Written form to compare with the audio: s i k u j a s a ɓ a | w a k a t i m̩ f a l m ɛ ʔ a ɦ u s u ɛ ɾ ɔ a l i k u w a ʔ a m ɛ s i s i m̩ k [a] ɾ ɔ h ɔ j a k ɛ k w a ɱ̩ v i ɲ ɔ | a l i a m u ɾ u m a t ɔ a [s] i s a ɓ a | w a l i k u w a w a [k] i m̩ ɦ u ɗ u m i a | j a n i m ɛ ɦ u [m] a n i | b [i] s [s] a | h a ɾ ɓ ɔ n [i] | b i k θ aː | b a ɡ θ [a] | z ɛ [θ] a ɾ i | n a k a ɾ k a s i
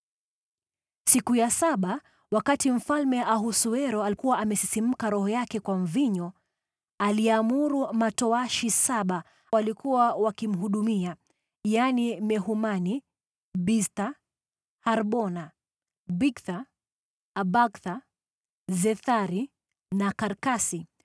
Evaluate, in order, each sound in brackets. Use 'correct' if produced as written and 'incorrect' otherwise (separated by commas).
correct, incorrect, correct, correct, correct, incorrect, incorrect, correct, correct